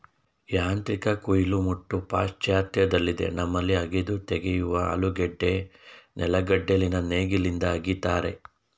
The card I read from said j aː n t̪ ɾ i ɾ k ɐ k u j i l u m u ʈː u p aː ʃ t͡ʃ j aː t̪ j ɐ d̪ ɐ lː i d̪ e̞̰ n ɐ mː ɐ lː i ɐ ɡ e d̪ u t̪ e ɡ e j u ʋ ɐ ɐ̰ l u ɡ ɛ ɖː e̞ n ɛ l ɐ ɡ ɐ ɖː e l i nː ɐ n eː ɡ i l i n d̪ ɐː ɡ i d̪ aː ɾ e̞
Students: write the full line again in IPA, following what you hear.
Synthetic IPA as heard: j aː n t̪ ɾ i k ɐ k u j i l u m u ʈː u p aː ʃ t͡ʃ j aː t̪ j ɐ d̪ ɐ lː i d̪ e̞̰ n ɐ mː ɐ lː i ɐ ɡ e d̪ u t̪ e ɡ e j u ʋ ɐ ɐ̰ l u ɡ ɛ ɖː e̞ n ɛ l ɐ ɡ ɐ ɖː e l i n ɐ n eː ɡ i l i n d̪ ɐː ɡ i t̪ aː ɾ e̞

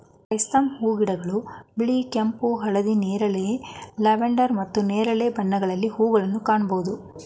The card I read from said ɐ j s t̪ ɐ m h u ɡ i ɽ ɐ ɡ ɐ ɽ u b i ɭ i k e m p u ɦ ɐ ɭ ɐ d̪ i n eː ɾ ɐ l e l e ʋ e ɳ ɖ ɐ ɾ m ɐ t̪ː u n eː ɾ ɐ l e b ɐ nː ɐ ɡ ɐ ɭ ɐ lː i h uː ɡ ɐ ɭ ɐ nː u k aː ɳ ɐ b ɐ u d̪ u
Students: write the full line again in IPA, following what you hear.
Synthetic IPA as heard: ɐ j s t̪ ɐ m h uː ɡ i ɽ ɐ ɡ ɐ ɭ u b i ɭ i k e m p u ɦ ɐ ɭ ɐ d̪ i n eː ɾ ɐ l e l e ʋ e ɳ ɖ ɐ ɾ m ɐ t̪ː u n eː ɾ ɐ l e b ɐ nː ɐ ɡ ɐ ɭ ɐ lː i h uː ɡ ɐ ɭ ɐ nː u k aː ɳ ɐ b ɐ u d̪ u

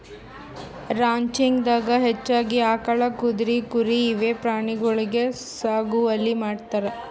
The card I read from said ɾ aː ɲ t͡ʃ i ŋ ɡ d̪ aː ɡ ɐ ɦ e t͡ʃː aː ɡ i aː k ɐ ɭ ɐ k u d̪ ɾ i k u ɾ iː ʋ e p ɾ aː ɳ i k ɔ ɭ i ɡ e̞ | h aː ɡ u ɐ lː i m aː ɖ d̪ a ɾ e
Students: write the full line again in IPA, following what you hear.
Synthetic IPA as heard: ɾ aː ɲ t͡ʃ i ŋ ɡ d̪ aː ɡ ɐ ɦ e t͡ʃː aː ɡ i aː k ɐ ɭ ɐ k u d̪ ɾ i k u ɾ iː ʋ e p ɾ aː ɳ i ɡ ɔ ɭ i ɡ e̞ | s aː ɡ u ɐ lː i m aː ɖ t̪ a ɾ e

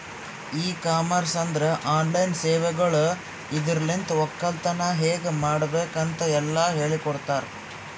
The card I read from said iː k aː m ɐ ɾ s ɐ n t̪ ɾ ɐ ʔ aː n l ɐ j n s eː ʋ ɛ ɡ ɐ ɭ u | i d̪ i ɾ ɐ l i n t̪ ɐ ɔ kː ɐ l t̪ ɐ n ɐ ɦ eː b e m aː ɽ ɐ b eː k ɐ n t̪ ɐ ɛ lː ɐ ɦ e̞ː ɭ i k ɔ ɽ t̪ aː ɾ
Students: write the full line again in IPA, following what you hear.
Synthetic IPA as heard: iː k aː m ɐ ɾ s ɐ n d̪ ɾ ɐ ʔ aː n l ɐ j n s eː ʋ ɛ ɡ ɐ ɭ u | i d̪ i ɾ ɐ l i n t̪ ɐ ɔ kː ɐ l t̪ ɐ n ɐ ɦ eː ɡ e m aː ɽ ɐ b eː k ɐ n t̪ ɐ ɛ lː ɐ ɦ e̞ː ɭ i k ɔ ɽ t̪ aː ɾ

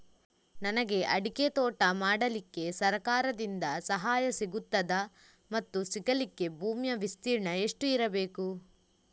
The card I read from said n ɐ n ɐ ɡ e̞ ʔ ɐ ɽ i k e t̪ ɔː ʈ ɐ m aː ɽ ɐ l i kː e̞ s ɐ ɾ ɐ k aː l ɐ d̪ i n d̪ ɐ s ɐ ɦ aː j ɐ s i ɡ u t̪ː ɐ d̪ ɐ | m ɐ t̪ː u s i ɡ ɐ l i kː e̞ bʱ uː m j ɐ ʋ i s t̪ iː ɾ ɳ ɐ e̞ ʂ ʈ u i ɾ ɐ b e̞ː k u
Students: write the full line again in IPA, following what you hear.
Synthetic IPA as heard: n ɐ n ɐ ɡ e̞ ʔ ɐ ɽ i k e t̪ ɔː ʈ ɐ m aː ɽ ɐ l i kː e̞ s ɐ ɾ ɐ k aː ɾ ɐ d̪ i n d̪ ɐ s ɐ ɦ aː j ɐ s i ɡ u t̪ː ɐ d̪ ɐ | m ɐ t̪ː u s i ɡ ɐ l i kː e̞ bʱ uː m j ɐ ʋ i s t̪ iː ɾ ɳ ɐ e̞ ʂ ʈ u i ɾ ɐ b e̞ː k u

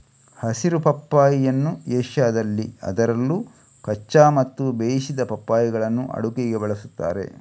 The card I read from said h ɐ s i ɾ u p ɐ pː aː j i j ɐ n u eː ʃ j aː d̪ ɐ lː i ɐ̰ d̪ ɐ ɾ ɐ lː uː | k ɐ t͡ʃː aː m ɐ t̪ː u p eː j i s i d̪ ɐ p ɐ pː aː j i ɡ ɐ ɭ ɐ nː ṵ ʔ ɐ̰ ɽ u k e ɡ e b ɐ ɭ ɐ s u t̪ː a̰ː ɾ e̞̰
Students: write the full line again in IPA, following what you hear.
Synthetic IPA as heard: h ɐ s i ɾ u p ɐ pː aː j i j ɐ nː u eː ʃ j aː d̪ ɐ lː i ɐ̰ d̪ ɐ ɾ ɐ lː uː | k ɐ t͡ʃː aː m ɐ t̪ː u b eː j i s i d̪ ɐ p ɐ pː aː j i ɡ ɐ ɭ ɐ nː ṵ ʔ ɐ̰ ɽ u k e ɡ e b ɐ ɭ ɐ s u t̪ː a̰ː ɾ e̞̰

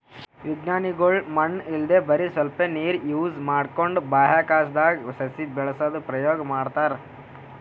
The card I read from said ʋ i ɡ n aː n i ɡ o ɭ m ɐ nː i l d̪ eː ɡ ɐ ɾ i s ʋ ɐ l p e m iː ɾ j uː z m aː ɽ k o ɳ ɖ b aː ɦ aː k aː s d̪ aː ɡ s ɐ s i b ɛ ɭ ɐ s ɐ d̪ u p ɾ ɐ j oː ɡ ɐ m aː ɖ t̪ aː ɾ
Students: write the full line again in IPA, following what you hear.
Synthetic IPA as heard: ʋ i ɡ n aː n i ɡ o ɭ m ɐ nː i l d̪ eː b ɐ ɾ i s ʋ ɐ l p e n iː ɾ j uː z m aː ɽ k o ɳ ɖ b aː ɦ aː k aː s d̪ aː ɡ s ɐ s i b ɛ ɭ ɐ s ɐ d̪ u p ɾ ɐ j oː ɡ ɐ m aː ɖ t̪ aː ɾ

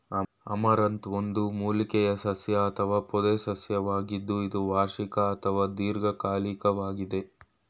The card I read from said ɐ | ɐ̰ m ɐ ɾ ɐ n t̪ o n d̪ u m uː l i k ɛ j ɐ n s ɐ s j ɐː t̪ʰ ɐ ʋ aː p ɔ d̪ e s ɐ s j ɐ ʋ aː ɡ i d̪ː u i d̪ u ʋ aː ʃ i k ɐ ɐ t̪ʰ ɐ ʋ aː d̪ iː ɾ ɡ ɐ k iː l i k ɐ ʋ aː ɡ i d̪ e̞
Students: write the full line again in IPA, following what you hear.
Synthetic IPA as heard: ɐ | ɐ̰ m ɐ ɾ ɐ n t̪ o n d̪ u m uː l i k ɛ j ɐ s ɐ s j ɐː t̪ʰ ɐ ʋ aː p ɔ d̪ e s ɐ s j ɐ ʋ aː ɡ i d̪ː u i d̪ u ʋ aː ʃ i k ɐ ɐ t̪ʰ ɐ ʋ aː d̪ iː ɾ ɡ ɐ k aː l i k ɐ ʋ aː ɡ i d̪ e̞

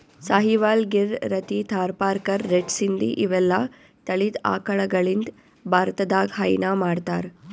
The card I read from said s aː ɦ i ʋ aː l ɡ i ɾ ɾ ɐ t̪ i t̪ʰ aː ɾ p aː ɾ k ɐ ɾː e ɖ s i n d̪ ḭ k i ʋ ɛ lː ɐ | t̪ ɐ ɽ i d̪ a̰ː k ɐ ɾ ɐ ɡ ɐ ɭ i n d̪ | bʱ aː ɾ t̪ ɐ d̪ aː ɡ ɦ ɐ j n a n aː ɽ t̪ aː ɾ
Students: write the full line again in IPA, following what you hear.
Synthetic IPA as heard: s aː ɦ i ʋ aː l ɡ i ɾ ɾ ɐ t̪ i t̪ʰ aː ɾ p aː ɾ k ɐ ɾː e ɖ s i n d̪ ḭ ʔ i ʋ ɛ lː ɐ | t̪ ɐ ɭ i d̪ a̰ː k ɐ ɭ ɐ ɡ ɐ ɭ i n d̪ | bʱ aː ɾ t̪ ɐ d̪ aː ɡ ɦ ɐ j n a m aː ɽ t̪ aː ɾ

